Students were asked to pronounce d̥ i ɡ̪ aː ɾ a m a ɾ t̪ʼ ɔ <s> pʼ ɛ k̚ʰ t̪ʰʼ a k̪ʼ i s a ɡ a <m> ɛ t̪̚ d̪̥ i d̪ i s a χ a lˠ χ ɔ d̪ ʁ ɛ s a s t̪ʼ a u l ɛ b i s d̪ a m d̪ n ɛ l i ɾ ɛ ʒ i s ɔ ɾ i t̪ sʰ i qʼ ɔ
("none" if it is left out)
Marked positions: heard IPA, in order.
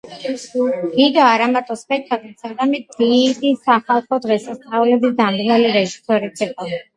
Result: s, m

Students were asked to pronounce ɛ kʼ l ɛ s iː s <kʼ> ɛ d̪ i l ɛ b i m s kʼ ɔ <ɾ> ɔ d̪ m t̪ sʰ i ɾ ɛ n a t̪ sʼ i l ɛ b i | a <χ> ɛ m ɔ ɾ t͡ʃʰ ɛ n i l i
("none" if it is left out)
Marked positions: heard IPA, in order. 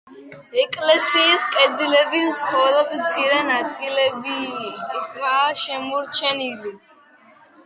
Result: kʼ, l, ʃ

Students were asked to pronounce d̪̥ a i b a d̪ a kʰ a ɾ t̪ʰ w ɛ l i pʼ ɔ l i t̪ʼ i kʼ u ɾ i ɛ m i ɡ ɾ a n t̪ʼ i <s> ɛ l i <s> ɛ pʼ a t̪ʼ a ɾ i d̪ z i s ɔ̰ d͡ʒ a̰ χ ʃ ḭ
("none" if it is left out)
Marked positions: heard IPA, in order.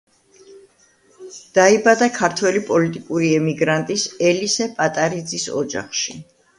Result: s, s

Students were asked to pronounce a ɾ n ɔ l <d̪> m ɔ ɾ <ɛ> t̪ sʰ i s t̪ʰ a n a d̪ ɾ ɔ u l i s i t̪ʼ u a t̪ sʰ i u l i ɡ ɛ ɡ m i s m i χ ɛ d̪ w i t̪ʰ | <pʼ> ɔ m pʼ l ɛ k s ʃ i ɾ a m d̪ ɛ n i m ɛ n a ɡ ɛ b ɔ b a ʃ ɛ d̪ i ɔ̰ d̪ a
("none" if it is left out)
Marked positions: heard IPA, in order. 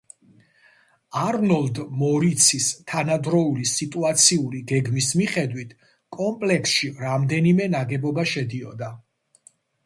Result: d̪, i, kʼ

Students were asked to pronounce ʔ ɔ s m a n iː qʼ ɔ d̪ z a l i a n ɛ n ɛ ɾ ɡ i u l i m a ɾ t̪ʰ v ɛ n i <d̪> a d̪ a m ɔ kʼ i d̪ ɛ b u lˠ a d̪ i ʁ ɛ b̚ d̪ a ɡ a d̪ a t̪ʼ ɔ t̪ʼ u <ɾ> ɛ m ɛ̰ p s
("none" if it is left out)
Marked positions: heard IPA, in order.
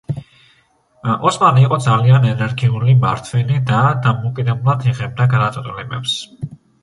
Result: d̪, l

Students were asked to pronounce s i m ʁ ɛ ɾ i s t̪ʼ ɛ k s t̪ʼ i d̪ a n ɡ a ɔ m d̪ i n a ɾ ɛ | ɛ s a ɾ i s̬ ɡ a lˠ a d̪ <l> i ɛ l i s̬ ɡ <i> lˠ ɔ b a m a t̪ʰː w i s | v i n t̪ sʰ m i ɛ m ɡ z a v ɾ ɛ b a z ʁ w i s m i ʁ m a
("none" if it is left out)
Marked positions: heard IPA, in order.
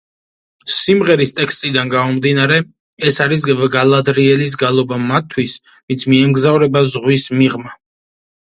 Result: ɾ, a

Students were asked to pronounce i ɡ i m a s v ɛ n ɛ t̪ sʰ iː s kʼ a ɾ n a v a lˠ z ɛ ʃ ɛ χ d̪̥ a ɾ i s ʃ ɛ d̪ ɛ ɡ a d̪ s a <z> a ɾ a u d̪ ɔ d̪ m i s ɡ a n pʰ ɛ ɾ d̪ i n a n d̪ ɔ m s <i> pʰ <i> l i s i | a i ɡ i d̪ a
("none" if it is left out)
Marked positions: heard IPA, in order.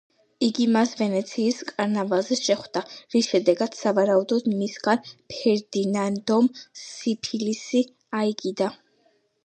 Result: v, i, i

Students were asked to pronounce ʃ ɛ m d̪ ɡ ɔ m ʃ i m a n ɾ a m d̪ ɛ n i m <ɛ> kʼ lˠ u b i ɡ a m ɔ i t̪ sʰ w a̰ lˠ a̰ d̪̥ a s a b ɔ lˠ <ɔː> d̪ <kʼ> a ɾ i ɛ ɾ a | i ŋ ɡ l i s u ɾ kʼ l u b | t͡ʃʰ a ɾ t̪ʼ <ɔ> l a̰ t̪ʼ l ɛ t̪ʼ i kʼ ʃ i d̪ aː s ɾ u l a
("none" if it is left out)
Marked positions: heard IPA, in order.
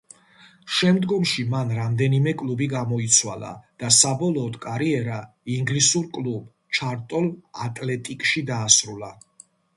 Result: ɛ, ɔː, kʼ, ɔ

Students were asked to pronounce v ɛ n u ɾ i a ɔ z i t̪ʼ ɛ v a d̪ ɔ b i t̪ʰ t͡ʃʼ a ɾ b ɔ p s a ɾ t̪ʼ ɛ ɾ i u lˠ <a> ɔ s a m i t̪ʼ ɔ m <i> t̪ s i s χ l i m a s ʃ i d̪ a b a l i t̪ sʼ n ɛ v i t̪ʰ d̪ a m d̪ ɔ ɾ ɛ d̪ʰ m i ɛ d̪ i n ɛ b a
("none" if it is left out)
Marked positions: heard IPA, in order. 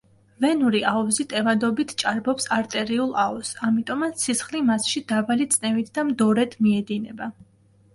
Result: a, a

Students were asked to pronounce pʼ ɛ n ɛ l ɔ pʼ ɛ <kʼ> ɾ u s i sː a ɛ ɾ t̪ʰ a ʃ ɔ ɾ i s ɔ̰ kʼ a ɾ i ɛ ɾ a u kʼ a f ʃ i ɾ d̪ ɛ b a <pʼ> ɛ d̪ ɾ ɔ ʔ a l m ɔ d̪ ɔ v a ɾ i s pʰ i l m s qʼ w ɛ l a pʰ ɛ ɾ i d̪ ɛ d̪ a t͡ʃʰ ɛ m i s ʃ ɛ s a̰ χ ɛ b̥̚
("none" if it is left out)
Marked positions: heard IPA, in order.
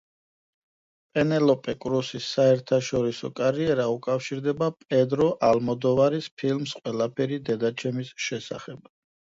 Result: kʼ, pʼ

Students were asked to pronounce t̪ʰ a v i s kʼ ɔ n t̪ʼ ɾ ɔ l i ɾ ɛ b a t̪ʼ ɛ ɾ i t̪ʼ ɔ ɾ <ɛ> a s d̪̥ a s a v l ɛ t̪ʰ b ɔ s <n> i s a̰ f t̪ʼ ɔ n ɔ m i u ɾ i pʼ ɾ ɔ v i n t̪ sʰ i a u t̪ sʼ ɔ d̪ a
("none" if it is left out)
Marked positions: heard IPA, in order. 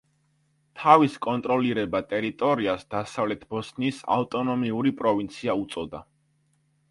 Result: i, n

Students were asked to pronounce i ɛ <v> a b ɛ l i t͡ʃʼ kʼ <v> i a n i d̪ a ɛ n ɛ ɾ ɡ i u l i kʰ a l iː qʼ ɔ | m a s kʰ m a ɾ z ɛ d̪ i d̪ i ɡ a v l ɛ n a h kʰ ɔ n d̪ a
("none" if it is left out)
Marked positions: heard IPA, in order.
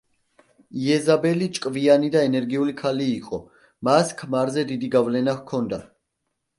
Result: z, v

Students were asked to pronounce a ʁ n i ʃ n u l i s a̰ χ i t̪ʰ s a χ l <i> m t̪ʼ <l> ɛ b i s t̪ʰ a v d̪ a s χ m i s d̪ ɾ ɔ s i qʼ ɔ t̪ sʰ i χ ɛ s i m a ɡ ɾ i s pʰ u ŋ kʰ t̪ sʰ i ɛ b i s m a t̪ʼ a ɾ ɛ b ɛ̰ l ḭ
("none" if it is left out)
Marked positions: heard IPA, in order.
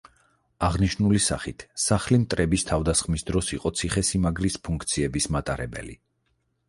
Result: i, ɾ

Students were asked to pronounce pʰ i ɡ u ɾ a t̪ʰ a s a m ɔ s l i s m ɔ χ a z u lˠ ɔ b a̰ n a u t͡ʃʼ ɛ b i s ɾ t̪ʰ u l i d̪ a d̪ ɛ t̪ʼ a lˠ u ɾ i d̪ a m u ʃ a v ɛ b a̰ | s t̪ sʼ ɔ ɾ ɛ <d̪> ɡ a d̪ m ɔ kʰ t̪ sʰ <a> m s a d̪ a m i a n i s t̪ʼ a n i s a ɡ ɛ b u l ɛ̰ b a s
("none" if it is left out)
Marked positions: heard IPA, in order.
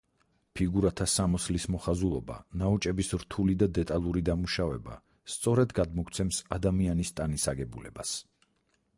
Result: d̪, ɛ

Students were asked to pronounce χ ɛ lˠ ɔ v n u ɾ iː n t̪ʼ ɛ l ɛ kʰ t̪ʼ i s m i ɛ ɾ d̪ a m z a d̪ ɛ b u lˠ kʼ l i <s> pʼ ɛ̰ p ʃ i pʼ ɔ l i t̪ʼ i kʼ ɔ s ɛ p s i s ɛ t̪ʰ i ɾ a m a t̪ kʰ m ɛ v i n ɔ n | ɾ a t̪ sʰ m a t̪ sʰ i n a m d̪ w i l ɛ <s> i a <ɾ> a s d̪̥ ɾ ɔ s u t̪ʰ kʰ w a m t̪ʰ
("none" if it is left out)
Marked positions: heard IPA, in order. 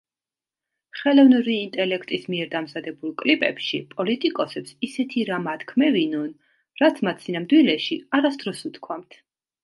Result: none, ʃ, ɾ

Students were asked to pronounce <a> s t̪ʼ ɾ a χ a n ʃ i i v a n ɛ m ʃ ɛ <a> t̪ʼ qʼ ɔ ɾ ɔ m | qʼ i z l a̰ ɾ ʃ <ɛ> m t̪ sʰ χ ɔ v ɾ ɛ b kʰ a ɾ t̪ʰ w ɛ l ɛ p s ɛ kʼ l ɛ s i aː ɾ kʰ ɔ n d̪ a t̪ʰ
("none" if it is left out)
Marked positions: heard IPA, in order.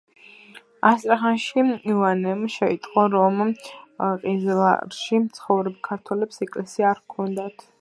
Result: a, i, i

